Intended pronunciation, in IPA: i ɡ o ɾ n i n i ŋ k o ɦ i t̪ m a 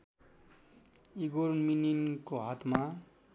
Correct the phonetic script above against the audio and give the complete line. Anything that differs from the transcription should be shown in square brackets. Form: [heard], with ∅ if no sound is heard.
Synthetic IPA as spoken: i ɡ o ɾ [m] i n i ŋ k o ɦ [a] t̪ m a